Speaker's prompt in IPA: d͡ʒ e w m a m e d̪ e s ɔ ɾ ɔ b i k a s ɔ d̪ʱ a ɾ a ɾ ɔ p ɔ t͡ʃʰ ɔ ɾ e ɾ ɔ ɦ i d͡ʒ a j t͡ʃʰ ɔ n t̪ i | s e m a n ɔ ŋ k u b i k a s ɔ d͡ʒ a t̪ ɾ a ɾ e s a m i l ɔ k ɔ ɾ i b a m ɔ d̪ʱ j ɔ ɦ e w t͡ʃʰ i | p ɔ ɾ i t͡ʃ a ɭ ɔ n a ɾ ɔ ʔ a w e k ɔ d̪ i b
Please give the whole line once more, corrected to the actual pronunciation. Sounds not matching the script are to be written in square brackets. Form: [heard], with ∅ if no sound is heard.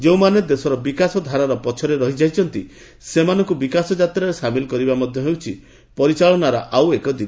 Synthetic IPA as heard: d͡ʒ e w m a [n] e d̪ e s ɔ ɾ ɔ b i k a s ɔ d̪ʱ a ɾ a ɾ ɔ p ɔ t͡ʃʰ ɔ ɾ e ɾ ɔ ɦ i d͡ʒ a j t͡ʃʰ ɔ n t̪ i | s e m a n ɔ ŋ k u b i k a s ɔ d͡ʒ a t̪ ɾ a ɾ e s a m i l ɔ k ɔ ɾ i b a m ɔ d̪ʱ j ɔ ɦ e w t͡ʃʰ i | p ɔ ɾ i t͡ʃ a ɭ ɔ n a ɾ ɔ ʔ a w e k ɔ d̪ i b